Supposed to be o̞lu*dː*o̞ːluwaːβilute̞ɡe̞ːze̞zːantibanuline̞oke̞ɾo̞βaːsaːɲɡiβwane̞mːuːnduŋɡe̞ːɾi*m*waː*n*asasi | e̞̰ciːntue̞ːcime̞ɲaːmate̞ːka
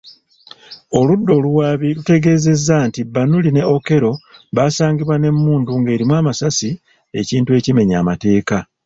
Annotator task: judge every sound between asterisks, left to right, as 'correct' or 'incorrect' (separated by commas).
correct, correct, incorrect